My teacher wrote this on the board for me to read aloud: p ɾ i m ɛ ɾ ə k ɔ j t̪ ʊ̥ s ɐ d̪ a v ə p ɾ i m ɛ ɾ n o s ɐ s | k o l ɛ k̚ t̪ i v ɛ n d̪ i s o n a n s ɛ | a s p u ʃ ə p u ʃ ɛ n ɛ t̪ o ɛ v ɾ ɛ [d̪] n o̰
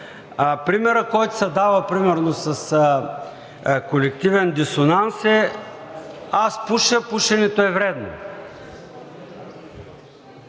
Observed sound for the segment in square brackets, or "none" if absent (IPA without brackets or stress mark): d̪